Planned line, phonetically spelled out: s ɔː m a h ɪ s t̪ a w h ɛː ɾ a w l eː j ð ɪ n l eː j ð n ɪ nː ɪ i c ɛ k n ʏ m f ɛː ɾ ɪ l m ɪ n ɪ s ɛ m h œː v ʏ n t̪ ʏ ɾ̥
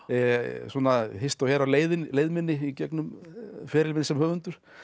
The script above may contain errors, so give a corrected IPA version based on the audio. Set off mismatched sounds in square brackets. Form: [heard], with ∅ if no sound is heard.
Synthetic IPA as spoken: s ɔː [n] a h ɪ s t̪ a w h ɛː ɾ a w l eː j ð ɪ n l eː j ð [m] ɪ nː ɪ i c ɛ k n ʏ m f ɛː ɾ ɪ l m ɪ n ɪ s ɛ m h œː v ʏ n t̪ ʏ ɾ̥